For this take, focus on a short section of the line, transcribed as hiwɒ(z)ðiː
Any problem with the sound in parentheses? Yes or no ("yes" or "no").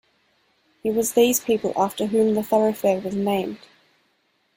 no